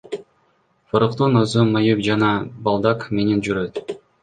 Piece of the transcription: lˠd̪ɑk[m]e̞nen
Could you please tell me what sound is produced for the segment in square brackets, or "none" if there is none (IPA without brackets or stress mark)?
m